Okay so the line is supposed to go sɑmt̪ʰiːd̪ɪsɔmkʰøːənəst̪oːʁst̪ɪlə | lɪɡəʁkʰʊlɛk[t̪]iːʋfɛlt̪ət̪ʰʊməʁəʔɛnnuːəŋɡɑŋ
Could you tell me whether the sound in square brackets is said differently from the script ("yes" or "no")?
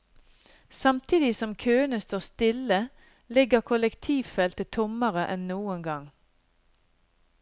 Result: yes